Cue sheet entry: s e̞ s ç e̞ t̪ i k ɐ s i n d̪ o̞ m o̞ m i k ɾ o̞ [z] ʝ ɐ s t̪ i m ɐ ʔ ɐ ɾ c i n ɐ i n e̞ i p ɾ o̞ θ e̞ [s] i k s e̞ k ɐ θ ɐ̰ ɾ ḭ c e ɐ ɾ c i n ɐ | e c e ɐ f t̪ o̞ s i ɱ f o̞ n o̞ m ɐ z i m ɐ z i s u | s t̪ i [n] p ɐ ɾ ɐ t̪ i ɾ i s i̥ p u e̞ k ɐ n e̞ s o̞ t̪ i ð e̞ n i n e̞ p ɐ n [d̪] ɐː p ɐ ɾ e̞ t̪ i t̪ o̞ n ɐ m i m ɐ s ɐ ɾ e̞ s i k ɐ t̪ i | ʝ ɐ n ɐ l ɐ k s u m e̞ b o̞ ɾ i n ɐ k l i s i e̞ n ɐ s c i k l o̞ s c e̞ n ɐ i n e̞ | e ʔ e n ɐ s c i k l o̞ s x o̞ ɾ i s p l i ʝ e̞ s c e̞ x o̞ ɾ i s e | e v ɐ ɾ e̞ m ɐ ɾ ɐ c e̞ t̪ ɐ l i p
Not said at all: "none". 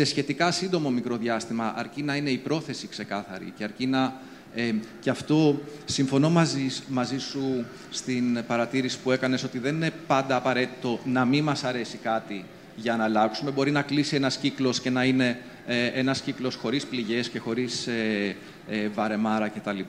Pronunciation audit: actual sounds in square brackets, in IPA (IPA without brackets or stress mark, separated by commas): ð, s, n, d̪